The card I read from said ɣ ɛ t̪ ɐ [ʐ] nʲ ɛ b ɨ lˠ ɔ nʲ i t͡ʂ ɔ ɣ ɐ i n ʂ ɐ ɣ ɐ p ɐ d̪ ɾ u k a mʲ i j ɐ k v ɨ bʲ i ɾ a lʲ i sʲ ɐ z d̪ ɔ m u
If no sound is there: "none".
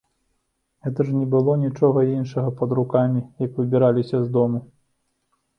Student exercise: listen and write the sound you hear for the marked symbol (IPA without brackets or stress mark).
ʐ